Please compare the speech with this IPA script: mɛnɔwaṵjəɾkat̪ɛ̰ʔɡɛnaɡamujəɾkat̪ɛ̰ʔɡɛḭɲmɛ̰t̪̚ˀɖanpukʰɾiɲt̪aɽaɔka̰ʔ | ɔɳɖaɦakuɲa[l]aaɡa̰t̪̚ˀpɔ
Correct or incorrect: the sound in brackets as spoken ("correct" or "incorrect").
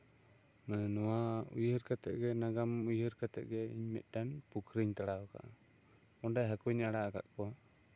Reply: incorrect